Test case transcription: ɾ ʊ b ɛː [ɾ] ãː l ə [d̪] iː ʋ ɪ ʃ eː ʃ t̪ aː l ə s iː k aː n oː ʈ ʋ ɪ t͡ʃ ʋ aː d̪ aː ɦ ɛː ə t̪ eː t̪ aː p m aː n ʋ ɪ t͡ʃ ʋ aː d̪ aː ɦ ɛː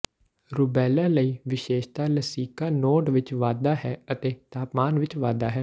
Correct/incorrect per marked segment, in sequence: incorrect: l, incorrect: none

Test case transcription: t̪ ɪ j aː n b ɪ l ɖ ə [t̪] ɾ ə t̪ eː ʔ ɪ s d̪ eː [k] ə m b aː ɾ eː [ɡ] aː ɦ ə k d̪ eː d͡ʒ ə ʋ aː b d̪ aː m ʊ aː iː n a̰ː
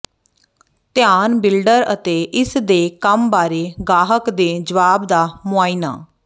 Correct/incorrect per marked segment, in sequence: incorrect: none, correct, correct

